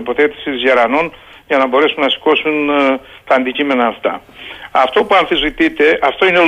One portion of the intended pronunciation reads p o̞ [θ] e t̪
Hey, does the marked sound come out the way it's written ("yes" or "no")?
yes